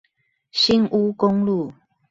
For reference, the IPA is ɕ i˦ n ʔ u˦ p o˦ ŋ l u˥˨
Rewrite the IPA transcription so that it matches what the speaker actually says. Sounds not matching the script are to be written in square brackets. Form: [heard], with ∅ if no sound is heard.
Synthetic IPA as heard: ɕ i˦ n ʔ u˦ [k] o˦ ŋ l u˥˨